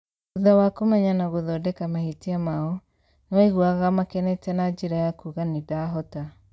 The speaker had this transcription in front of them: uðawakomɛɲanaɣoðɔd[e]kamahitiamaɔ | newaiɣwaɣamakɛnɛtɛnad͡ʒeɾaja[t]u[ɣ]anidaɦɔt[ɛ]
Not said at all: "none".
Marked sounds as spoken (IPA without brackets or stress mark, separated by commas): ɛ, k, ɣ, a